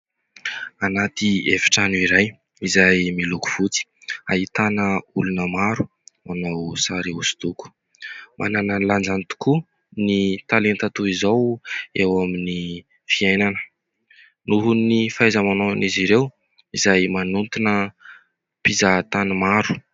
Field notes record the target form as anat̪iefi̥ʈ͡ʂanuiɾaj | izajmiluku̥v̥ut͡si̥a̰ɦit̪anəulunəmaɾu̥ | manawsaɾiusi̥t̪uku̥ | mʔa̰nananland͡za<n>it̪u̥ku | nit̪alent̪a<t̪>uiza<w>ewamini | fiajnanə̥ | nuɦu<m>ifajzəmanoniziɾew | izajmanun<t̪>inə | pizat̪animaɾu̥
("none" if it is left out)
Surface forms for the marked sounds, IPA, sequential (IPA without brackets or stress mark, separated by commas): n, t̪, w, n, t̪